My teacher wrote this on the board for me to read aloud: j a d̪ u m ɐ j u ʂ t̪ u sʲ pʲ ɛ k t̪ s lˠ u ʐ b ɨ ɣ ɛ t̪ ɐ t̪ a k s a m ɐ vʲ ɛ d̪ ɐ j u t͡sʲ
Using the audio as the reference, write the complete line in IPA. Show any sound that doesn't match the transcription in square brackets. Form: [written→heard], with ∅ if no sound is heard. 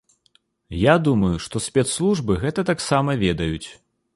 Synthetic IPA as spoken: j a d̪ u m ɐ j u ʂ t̪ [u→ɔ] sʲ pʲ ɛ [k→∅] t̪ s lˠ u ʐ b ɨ ɣ ɛ t̪ ɐ t̪ a k s a m ɐ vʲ ɛ d̪ ɐ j u t͡sʲ